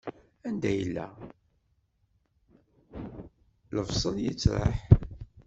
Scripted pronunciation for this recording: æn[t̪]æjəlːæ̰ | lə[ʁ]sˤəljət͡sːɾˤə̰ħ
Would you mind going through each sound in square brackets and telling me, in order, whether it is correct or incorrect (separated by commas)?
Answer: incorrect, incorrect